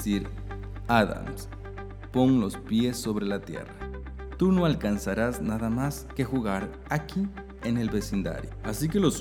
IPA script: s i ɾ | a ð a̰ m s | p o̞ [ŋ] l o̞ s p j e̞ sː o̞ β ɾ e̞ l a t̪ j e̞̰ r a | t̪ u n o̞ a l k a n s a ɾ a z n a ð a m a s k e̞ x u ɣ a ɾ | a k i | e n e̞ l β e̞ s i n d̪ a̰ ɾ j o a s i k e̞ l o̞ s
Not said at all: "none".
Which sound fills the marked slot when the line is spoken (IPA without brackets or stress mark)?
ŋ